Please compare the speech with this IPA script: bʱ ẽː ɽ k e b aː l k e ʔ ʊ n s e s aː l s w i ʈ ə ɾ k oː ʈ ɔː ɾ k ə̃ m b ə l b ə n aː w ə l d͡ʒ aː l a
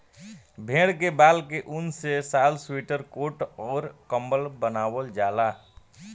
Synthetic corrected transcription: bʱ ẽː ɽ k e b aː l k e ʔ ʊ n s e s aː l s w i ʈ ə ɾ k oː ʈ ɔː ɾ k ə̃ m b ə l b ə n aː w ə l d͡ʒ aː l a